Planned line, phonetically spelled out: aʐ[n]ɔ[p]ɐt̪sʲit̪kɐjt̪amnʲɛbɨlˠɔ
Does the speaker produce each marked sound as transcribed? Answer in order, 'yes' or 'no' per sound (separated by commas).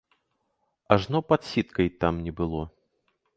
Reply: yes, yes